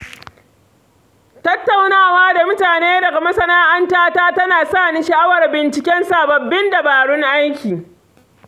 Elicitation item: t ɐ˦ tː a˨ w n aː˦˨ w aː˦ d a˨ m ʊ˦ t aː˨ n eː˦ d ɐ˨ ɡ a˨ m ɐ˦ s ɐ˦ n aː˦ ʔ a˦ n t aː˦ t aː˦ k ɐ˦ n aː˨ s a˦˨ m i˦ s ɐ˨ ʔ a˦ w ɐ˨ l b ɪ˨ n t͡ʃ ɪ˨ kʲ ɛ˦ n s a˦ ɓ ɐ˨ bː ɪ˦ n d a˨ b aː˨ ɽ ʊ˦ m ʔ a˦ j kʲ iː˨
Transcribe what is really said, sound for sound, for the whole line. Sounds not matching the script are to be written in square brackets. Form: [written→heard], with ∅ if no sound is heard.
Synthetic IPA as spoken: t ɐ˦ tː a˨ w n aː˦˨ w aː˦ d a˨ m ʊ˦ t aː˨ n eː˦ d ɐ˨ ɡ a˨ m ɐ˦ s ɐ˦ n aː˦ ʔ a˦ n t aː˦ t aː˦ [k→t] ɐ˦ n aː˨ s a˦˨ [m→n] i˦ [s→ʃ] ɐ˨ ʔ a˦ w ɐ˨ [l→r] b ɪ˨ n t͡ʃ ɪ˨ kʲ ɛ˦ n s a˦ [ɓ→b] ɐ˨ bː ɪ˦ n d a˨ b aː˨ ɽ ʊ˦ [m→ŋ] ʔ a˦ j kʲ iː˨